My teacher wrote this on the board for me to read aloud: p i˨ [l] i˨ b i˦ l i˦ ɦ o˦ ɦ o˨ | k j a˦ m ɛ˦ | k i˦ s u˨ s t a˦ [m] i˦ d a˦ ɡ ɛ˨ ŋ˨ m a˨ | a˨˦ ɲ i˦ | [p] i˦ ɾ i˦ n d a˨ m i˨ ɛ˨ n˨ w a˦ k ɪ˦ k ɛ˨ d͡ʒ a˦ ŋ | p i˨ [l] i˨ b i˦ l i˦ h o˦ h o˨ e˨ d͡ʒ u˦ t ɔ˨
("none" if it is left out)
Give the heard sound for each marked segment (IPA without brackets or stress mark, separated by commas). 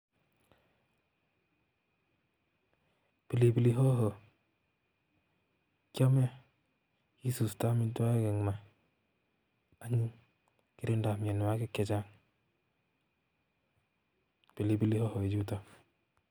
l, m, k, l